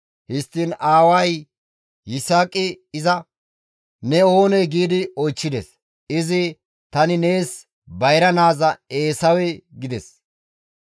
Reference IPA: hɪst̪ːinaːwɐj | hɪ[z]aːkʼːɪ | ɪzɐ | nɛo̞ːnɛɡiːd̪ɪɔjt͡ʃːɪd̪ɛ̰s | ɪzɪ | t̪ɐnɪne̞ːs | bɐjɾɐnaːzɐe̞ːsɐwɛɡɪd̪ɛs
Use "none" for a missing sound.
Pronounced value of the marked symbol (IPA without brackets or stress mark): s